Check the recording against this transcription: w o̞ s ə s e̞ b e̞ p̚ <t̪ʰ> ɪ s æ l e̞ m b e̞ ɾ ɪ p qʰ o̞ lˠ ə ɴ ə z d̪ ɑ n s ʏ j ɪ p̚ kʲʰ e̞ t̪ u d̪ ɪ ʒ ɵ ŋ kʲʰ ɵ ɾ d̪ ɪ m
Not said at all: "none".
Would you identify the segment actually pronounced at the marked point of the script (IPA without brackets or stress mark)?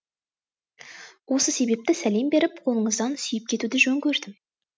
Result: t̪